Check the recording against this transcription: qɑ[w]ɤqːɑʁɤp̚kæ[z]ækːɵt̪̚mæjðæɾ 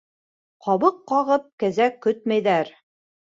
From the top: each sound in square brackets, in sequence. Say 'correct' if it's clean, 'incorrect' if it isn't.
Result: incorrect, correct

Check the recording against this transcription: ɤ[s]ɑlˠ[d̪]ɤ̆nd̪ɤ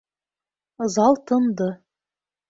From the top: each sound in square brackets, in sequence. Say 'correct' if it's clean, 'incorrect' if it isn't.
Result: incorrect, incorrect

